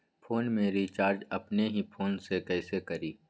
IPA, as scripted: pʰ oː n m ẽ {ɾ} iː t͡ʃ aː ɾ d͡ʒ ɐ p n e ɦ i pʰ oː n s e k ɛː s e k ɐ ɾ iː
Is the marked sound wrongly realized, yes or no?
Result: no